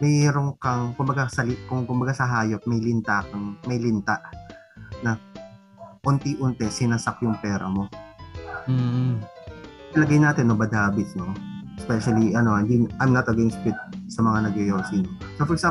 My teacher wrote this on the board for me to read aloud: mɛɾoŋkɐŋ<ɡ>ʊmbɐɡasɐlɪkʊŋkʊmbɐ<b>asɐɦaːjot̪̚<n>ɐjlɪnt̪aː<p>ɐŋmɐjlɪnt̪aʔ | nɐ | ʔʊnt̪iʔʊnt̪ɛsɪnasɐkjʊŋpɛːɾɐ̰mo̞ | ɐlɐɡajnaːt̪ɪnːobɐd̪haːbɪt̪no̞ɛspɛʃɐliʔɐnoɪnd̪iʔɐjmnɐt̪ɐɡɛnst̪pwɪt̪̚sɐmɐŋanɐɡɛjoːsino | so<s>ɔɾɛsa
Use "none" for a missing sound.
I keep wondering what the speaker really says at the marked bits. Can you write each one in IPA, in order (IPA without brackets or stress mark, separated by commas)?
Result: k, ɡ, m, k, f